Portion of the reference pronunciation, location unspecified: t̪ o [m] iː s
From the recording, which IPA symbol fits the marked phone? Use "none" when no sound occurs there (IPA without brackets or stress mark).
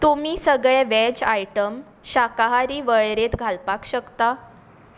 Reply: m